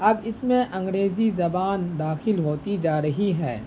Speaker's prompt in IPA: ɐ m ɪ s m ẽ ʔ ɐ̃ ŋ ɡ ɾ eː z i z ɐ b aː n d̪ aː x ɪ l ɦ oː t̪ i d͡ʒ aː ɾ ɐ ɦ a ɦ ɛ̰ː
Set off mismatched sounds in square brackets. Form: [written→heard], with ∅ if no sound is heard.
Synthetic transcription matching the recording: ɐ [m→b] ɪ s m ẽ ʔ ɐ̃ ŋ ɡ ɾ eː z i z ɐ b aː n d̪ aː x ɪ l ɦ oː t̪ i d͡ʒ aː ɾ ɐ ɦ [a→i] ɦ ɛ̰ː